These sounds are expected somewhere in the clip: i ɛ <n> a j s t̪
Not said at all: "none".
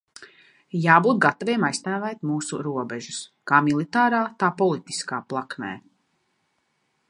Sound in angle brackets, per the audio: m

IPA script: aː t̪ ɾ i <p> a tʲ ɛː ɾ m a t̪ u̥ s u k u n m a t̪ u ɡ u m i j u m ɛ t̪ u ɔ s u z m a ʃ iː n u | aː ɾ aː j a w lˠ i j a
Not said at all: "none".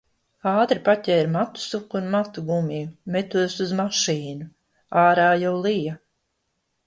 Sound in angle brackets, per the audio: p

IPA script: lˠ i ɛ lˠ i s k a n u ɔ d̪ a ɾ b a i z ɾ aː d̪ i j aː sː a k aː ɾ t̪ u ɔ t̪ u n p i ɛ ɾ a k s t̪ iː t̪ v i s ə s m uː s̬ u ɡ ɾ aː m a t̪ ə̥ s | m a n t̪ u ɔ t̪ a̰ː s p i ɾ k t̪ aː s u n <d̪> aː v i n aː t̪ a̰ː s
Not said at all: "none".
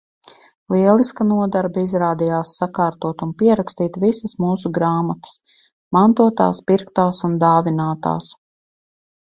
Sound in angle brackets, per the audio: d̪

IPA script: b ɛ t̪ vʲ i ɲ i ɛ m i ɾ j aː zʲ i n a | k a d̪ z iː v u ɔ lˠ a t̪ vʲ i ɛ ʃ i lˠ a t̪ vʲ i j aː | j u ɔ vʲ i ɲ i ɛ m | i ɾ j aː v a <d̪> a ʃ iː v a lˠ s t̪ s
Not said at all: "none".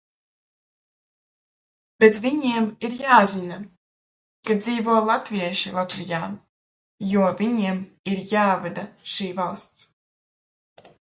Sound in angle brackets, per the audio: d̪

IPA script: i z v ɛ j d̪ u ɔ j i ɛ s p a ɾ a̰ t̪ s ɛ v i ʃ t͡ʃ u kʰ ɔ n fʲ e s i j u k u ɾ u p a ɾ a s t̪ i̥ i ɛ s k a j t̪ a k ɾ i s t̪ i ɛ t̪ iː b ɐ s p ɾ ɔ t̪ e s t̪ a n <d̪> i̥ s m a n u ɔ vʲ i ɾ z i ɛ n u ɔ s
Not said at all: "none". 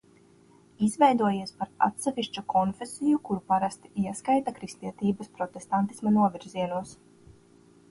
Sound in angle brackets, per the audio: t̪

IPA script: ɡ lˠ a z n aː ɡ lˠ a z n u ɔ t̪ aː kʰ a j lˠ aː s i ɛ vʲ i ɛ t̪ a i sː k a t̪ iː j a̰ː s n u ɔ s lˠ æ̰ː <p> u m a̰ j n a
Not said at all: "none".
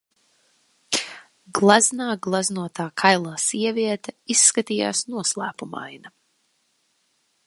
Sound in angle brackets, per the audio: p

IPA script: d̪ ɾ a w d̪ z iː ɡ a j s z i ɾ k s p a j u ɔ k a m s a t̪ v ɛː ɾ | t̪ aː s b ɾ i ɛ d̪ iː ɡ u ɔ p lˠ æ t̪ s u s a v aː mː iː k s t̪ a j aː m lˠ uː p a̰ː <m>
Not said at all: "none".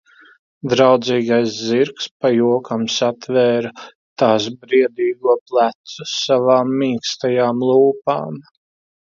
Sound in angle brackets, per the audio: m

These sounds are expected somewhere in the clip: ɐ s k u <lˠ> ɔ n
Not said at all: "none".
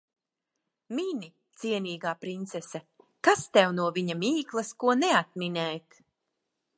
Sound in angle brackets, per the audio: none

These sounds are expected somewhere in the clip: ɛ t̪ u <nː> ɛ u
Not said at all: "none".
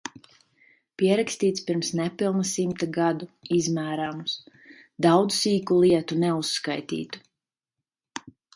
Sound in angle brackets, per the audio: n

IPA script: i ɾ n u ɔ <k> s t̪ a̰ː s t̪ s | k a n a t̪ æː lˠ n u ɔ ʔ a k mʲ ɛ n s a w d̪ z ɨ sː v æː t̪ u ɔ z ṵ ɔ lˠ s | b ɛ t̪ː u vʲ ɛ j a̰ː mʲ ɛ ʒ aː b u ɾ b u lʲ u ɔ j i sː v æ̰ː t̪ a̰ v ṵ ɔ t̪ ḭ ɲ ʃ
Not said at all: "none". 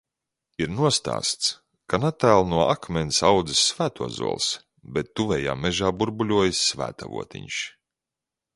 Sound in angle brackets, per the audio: none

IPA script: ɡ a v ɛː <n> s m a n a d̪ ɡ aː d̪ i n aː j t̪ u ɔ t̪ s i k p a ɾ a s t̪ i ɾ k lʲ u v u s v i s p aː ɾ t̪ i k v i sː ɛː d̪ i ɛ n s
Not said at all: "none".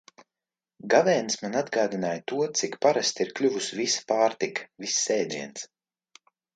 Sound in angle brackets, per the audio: n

